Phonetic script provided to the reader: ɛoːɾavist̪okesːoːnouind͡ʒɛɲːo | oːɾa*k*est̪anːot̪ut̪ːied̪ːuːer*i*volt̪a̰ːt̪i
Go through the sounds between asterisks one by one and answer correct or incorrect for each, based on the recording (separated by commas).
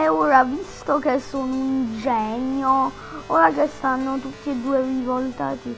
correct, correct